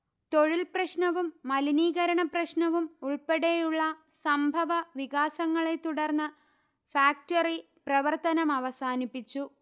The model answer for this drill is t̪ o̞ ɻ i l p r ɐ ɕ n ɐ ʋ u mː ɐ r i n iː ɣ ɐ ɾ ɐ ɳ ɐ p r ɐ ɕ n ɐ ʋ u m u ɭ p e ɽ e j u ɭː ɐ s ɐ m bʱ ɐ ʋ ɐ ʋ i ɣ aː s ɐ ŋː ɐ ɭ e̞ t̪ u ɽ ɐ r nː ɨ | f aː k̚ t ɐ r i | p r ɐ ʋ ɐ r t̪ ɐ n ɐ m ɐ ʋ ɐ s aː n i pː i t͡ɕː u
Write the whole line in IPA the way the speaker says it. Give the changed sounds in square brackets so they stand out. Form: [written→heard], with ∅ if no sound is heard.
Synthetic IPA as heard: t̪ o̞ ɻ i l p r ɐ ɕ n ɐ ʋ u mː ɐ [r→l] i n iː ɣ ɐ ɾ ɐ ɳ ɐ p r ɐ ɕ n ɐ ʋ u m u ɭ p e ɽ e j u ɭː ɐ s ɐ m bʱ ɐ ʋ ɐ ʋ i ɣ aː s ɐ ŋː ɐ ɭ e̞ t̪ u ɽ ɐ r nː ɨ | f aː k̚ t ɐ r i | p r ɐ ʋ ɐ r t̪ ɐ n ɐ m ɐ ʋ ɐ s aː n i pː i t͡ɕː u